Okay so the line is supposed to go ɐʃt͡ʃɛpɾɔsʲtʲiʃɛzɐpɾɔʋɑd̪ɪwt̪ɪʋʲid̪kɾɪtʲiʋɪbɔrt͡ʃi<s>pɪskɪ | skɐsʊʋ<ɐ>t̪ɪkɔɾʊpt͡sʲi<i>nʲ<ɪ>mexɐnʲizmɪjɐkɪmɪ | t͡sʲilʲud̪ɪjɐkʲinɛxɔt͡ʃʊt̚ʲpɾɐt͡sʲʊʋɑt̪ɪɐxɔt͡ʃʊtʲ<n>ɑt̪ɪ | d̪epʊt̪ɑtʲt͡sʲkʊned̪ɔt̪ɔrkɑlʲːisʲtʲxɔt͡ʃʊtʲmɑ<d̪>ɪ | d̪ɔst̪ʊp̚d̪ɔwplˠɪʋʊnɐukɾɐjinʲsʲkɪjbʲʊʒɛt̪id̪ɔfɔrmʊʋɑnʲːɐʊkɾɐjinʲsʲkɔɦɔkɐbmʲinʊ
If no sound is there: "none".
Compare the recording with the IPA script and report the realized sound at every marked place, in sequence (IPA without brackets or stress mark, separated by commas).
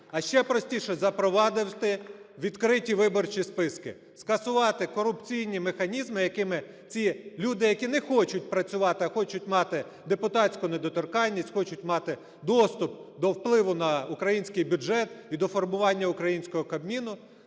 s, ɑ, j, i, m, t̪